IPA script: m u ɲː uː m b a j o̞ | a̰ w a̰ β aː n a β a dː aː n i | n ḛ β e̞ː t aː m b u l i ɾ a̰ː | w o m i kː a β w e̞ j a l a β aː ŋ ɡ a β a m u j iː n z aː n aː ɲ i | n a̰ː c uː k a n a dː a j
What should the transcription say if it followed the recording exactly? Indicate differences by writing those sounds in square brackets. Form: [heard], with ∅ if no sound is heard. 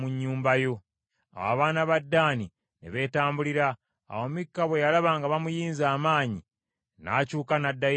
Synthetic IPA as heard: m u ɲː uː m b a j o̞ | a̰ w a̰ β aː n a β a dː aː n i | n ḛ β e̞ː t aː m b u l i ɾ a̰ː | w o m i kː a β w e̞ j a l a β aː ŋ ɡ a β a m u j iː n z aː [m] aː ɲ i | n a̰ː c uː k a n a dː a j